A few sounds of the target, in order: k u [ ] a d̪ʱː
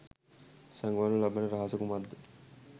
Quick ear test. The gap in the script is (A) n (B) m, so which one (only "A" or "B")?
B